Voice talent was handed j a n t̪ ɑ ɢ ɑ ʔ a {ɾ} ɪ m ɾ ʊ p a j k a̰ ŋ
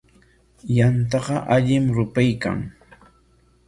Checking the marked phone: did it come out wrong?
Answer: yes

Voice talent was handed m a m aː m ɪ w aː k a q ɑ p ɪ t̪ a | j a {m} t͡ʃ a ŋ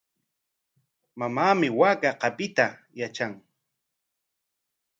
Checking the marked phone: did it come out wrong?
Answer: yes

